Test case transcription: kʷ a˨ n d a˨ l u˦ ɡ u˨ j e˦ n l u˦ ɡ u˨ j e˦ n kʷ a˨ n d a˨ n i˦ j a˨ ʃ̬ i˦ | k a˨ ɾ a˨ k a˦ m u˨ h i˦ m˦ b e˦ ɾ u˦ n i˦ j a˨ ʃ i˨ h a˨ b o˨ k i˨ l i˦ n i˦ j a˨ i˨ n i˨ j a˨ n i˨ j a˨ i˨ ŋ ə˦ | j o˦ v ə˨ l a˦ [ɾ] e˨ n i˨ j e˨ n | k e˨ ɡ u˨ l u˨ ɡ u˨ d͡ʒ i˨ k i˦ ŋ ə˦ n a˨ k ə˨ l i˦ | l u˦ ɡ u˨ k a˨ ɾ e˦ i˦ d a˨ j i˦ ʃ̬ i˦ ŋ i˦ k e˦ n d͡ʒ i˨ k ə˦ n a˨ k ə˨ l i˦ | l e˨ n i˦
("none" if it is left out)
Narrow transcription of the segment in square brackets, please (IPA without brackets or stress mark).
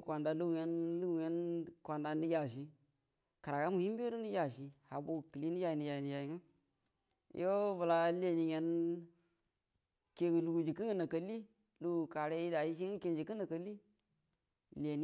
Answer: l